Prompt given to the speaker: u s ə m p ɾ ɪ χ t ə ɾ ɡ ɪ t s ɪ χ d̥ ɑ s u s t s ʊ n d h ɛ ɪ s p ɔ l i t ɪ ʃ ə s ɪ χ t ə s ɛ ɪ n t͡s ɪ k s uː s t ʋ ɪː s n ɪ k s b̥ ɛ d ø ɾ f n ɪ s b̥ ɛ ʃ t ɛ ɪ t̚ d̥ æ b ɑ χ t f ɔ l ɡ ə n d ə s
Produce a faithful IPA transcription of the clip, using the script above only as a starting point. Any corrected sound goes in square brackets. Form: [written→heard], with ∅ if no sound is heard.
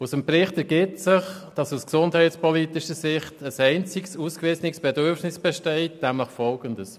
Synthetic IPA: u s ə m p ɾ ɪ χ t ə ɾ ɡ ɪ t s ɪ χ d̥ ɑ s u s [t→k] s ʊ n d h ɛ ɪ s p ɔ l i t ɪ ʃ ə s ɪ χ t ə s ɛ ɪ n t͡s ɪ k s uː s [t→k] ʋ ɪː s n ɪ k s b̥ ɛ d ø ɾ f n ɪ s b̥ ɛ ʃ t ɛ ɪ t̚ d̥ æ [b→m] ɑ χ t f ɔ l ɡ ə n d ə s